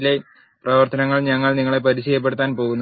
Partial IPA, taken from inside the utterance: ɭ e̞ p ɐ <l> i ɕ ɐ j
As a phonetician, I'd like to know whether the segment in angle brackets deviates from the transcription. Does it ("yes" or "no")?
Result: yes